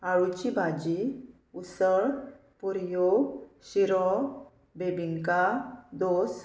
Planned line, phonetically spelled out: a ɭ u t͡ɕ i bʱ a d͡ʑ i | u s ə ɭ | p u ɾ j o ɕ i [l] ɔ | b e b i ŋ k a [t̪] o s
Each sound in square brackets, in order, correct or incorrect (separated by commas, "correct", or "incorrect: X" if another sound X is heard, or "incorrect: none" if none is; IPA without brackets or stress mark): incorrect: ɾ, incorrect: d̪